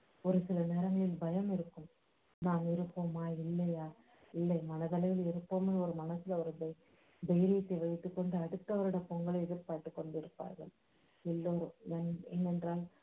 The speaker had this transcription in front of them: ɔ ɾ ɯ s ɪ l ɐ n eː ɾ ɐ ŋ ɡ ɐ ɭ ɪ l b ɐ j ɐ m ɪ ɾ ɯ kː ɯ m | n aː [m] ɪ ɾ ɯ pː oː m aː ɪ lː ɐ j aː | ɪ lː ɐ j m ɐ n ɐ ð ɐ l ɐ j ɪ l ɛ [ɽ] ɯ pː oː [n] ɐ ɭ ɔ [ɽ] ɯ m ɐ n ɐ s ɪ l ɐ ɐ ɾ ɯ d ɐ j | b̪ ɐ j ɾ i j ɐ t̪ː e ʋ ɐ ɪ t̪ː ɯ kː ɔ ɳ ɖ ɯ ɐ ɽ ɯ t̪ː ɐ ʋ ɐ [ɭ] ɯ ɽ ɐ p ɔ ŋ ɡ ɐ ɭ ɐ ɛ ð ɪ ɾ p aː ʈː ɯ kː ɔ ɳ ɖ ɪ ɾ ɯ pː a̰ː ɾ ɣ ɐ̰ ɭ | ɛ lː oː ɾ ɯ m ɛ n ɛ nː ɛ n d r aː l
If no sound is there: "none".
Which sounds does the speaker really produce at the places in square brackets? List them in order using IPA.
m, ɾ, m, ɾ, ɾ

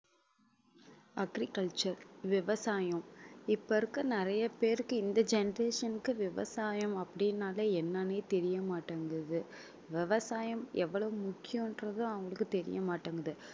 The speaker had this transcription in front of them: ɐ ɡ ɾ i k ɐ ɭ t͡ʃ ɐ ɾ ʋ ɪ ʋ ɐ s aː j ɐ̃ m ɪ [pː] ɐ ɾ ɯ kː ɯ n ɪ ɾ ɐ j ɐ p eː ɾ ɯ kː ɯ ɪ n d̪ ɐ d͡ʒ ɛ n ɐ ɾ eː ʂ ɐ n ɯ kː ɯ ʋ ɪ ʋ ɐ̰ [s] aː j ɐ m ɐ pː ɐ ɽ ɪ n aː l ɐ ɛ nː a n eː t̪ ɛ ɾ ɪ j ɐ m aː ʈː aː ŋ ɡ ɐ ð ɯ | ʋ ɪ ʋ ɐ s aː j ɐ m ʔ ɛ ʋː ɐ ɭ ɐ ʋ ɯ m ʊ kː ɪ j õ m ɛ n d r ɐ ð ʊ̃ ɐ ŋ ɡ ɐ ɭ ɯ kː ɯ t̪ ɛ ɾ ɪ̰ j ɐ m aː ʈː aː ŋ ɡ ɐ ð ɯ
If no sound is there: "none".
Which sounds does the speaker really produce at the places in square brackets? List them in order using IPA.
pː, s

